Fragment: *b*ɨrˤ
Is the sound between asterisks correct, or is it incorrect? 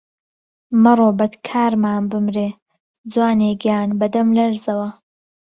incorrect